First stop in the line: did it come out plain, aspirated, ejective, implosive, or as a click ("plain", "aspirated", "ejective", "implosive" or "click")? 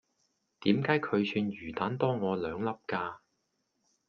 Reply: plain